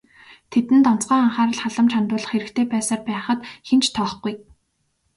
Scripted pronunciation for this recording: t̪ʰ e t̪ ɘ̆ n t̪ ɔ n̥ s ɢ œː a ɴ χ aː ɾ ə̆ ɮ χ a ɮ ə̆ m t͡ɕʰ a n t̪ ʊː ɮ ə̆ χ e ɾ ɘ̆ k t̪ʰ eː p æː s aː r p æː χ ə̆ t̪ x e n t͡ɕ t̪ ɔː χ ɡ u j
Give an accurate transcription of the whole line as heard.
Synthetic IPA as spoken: t̪ʰ e t̪ ɘ̆ n t̪ ɔ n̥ t͡s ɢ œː a ɴ χ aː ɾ ə̆ ɮ χ a ɮ ə̆ m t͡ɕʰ a n t̪ ʊː ɮ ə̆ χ e ɾ ɘ̆ k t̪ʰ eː p æː s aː r p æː χ ə̆ t̪ x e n t͡ɕ t̪ʰ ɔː χ ɡ u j